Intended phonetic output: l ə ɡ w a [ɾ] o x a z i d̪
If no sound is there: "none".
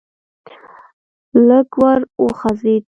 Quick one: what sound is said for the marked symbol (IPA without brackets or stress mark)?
ɾ